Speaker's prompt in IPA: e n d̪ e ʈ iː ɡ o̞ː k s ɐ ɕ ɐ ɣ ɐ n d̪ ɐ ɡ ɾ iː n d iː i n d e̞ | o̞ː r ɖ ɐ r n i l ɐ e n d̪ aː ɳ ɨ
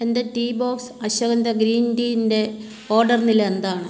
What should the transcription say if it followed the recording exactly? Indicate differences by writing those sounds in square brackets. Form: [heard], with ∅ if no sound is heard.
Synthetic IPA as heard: e n d̪ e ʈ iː [b] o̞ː k s ɐ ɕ ɐ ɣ ɐ n d̪ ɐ ɡ ɾ iː n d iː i n d e̞ | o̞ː r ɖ ɐ r n i l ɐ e n d̪ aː ɳ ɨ